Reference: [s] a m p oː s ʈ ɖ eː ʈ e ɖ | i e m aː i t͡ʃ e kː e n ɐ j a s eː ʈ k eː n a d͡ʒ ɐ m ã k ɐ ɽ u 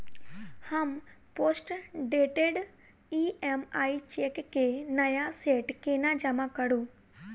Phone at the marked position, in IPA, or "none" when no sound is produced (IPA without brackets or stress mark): h